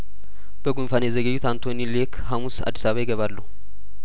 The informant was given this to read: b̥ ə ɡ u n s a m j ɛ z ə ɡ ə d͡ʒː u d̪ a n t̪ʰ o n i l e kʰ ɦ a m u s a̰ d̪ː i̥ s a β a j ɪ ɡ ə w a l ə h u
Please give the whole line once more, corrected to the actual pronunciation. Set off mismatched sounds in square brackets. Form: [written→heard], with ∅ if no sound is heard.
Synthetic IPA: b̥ ə ɡ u n [s→f] a [m→n] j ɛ z ə ɡ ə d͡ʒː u [d̪→t̪] a n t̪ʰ o n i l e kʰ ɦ a m u s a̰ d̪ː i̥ s a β a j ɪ ɡ ə [w→β] a [l→lː] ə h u